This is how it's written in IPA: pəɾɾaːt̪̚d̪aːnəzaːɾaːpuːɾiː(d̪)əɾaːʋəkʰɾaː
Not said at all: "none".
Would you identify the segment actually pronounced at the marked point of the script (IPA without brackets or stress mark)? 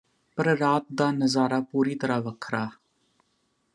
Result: t̪